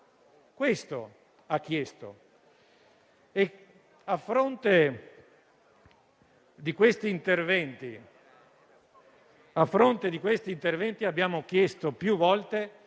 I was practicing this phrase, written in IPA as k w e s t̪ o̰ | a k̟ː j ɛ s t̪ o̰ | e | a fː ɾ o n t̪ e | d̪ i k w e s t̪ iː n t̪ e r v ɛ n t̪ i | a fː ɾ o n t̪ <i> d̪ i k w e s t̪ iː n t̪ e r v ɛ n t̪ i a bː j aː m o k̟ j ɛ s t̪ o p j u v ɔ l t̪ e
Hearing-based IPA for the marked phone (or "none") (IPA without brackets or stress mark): e